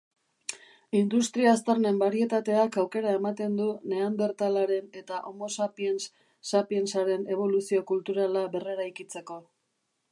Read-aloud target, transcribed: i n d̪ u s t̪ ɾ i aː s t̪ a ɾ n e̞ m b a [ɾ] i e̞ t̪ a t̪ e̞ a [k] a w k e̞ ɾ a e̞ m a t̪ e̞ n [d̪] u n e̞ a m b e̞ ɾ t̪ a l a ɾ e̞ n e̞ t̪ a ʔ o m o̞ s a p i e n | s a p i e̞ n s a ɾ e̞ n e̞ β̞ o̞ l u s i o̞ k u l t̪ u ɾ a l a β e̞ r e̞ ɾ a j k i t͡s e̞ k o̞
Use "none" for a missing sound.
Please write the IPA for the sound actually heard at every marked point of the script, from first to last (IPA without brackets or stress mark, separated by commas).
ɾ, k, d̪